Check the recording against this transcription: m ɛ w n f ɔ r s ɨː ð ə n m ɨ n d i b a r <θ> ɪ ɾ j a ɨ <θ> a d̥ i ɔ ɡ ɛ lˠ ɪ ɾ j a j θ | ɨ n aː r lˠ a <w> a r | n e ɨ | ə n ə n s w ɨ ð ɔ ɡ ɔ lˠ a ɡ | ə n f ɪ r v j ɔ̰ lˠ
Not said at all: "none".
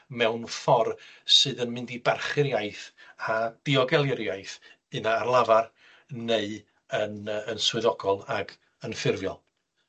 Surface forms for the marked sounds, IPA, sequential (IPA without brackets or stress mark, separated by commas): χ, θ, v